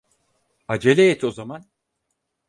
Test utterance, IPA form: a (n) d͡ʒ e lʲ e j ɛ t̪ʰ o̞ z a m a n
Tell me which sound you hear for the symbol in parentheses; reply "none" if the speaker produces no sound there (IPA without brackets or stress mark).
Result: none